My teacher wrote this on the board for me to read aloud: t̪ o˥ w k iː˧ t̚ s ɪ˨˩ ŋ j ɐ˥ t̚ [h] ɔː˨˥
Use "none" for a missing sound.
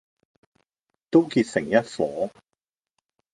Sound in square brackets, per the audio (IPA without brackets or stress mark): f